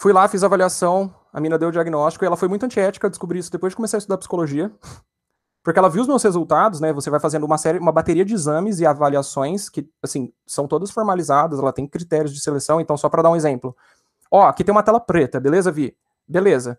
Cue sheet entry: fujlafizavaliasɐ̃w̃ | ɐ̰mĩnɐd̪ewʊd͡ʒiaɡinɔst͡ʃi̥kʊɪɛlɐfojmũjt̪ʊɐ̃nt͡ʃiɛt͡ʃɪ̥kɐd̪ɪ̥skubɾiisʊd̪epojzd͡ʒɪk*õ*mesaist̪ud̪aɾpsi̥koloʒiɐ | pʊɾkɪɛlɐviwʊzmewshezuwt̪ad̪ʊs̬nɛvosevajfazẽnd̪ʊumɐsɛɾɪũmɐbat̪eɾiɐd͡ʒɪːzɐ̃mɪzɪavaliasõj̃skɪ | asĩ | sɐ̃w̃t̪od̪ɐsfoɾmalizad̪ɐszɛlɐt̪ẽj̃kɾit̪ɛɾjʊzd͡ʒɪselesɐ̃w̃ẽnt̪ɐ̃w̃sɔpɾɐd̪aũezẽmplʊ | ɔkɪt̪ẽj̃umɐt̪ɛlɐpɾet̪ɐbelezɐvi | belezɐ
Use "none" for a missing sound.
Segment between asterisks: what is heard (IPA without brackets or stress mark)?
o